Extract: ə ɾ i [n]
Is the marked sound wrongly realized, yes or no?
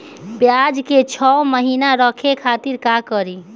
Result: yes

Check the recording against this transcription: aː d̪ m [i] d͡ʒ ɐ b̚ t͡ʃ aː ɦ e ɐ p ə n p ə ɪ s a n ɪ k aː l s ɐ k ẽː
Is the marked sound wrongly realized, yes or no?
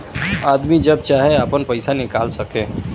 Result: no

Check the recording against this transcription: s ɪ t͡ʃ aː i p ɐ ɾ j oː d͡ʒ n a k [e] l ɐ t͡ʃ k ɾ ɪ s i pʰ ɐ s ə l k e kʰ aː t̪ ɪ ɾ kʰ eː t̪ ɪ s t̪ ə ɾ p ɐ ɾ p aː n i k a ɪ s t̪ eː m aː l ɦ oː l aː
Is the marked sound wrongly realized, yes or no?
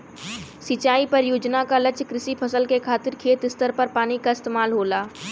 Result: yes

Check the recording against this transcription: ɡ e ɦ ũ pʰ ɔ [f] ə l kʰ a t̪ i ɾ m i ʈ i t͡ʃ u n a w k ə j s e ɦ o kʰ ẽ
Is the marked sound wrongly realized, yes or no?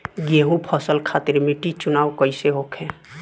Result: yes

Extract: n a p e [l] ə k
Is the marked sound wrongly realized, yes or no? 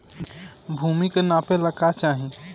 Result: no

